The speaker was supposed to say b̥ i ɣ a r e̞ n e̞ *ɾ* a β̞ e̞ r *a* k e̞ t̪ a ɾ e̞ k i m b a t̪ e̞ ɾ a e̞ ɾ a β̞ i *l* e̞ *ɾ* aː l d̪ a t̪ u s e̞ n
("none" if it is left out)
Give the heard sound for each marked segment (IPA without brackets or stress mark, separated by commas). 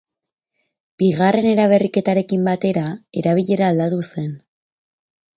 ɾ, i, ʎ, ɾ